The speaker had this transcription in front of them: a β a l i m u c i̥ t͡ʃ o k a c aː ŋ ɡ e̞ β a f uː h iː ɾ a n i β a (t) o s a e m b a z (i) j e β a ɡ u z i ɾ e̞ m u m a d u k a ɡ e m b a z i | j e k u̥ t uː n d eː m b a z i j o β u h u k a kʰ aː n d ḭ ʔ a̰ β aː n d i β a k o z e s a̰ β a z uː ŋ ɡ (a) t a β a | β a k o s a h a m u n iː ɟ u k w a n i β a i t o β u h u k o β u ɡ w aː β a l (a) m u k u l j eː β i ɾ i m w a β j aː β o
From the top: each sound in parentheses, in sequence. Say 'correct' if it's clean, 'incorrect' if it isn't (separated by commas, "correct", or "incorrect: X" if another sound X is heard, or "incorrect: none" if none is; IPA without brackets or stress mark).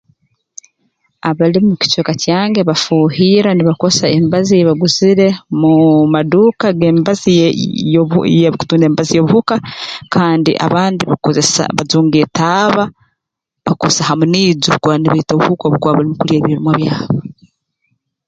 incorrect: k, correct, incorrect: e, incorrect: i